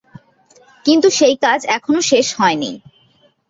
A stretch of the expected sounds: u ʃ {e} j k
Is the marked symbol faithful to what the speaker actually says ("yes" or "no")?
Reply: yes